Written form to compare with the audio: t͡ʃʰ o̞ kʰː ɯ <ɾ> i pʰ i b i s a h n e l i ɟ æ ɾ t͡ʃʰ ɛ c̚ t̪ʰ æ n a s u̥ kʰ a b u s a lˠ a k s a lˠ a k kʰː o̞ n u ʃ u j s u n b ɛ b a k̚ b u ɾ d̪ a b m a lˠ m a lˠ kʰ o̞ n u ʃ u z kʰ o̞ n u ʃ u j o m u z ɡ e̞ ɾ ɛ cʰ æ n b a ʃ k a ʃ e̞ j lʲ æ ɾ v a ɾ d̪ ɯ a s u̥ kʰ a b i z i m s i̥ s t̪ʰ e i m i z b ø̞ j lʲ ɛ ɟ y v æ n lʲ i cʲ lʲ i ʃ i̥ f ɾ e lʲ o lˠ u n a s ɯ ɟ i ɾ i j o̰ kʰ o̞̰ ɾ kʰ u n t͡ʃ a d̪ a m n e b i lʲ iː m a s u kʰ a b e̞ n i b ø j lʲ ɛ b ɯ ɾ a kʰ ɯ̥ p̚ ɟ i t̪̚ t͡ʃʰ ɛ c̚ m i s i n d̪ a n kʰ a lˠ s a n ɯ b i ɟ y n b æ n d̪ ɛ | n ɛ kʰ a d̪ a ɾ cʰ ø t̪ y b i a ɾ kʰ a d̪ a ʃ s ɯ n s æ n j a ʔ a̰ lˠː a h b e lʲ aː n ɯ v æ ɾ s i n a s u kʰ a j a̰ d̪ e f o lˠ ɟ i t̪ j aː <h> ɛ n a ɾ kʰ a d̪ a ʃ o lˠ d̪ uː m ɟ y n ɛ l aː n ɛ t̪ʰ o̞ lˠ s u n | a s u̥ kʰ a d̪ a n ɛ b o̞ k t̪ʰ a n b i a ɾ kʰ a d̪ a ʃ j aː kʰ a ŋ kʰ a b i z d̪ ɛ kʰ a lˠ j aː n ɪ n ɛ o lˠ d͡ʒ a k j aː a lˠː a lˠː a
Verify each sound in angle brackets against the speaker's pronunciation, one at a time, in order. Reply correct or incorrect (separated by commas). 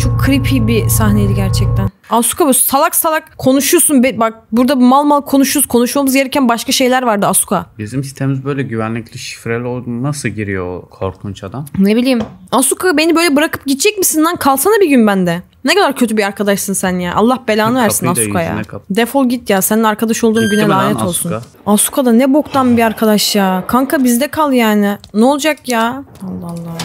correct, incorrect